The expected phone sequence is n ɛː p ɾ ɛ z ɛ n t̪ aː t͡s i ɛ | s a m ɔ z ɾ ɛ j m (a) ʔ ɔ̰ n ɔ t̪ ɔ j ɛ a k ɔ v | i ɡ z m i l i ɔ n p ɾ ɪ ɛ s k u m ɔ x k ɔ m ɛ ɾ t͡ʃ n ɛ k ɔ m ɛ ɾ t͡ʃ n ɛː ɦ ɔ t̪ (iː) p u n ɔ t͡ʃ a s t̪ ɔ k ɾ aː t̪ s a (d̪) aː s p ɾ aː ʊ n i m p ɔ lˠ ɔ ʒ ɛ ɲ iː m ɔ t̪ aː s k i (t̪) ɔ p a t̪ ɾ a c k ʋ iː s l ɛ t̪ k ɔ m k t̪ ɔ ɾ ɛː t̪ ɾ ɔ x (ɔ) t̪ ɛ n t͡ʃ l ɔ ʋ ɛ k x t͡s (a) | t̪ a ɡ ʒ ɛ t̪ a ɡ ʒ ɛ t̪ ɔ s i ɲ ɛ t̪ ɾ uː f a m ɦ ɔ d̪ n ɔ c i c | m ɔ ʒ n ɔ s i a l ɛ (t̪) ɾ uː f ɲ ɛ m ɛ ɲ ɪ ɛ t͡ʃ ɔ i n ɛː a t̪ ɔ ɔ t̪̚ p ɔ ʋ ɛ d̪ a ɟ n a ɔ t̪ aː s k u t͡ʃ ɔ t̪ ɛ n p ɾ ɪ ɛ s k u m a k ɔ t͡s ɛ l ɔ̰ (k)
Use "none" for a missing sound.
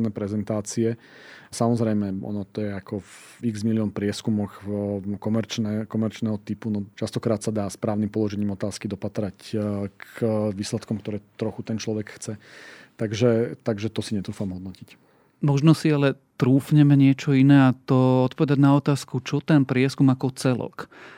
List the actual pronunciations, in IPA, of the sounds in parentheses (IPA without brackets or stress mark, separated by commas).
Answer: ɛ, i, d̪, d̪, u, ɛ, t̪, k